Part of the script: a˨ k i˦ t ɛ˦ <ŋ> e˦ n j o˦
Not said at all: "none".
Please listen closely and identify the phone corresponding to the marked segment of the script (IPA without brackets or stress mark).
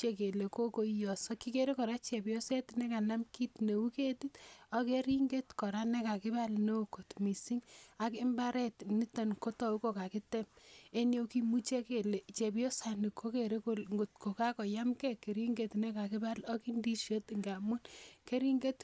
m